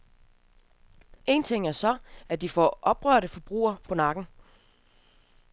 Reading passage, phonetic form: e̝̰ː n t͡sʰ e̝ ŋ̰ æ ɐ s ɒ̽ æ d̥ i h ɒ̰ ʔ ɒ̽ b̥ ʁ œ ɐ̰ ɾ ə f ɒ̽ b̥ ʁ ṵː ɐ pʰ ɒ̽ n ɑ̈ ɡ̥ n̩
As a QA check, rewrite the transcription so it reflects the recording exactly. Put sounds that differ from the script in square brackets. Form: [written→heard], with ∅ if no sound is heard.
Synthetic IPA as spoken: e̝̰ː n t͡sʰ e̝ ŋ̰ æ ɐ s ɒ̽ æ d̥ i [h→f] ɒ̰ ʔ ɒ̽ b̥ ʁ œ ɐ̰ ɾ ə f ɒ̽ b̥ ʁ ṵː ɐ pʰ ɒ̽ n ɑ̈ ɡ̥ n̩